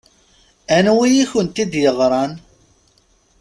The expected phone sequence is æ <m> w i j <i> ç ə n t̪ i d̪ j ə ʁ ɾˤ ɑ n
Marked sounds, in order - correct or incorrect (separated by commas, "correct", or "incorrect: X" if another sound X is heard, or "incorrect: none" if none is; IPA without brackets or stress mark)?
incorrect: n, correct